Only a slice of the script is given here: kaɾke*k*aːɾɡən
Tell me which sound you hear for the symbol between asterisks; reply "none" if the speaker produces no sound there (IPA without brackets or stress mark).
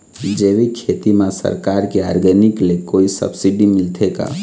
none